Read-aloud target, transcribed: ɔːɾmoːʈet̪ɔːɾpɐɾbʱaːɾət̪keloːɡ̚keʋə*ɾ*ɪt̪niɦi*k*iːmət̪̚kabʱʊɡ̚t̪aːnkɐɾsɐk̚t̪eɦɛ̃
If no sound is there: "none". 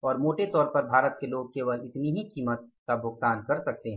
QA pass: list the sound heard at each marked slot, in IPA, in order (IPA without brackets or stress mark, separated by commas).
l, k